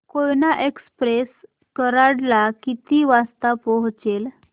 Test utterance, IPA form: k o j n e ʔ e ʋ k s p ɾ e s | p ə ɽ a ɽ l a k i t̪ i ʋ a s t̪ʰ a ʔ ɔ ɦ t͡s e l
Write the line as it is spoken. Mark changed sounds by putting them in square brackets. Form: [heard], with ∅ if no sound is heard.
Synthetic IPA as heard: k o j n [a] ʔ e [∅] k s p ɾ e s | [k] ə [ɾ] a ɽ l a k i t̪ i ʋ a s [t̪] a [p] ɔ ɦ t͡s e l